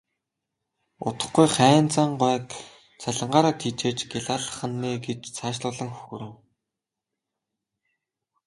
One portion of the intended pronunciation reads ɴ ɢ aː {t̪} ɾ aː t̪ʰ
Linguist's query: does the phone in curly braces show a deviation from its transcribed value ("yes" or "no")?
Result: yes